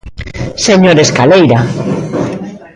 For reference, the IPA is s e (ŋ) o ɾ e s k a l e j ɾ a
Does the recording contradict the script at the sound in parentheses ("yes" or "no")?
yes